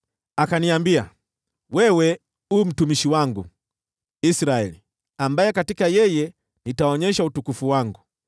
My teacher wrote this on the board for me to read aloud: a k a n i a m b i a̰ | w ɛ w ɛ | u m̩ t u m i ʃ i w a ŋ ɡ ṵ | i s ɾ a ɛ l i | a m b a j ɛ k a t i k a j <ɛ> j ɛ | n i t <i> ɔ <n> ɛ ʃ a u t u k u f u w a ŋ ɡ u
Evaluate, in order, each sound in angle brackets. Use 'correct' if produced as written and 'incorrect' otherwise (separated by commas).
correct, incorrect, incorrect